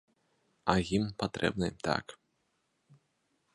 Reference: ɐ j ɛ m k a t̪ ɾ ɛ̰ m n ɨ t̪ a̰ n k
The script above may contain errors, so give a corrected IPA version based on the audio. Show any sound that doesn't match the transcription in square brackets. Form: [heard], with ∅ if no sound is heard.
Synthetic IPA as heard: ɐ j [i] m [p] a t̪ ɾ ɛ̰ [b] n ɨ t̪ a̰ [∅] k